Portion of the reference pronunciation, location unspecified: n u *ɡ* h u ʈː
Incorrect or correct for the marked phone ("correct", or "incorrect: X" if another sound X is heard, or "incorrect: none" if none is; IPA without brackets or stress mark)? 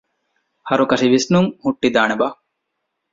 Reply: incorrect: ŋ